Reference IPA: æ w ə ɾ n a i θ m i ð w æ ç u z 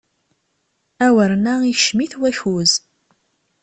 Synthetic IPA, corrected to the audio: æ w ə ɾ n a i ʃ m i θ w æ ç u z